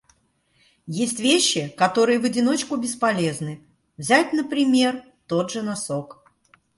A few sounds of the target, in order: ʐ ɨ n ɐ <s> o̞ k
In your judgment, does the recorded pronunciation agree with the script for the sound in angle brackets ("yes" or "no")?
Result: yes